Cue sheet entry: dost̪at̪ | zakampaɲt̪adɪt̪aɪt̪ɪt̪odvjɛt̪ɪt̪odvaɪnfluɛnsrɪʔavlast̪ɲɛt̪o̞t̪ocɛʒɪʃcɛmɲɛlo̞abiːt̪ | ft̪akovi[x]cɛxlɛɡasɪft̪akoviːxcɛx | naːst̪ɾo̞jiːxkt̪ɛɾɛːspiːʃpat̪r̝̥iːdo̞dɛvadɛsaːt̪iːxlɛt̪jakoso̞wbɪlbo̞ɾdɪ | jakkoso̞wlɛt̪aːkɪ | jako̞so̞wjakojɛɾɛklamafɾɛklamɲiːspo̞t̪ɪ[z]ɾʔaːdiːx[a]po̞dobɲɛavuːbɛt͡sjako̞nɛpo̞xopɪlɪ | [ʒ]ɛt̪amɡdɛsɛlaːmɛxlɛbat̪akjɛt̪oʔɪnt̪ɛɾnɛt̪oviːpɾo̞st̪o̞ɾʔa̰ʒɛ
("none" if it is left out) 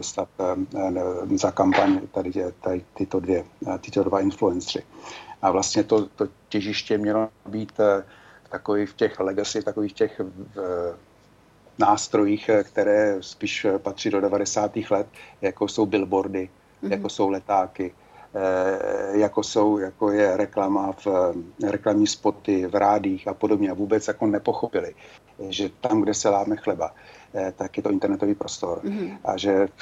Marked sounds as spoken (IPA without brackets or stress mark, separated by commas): f, v, a, ʒ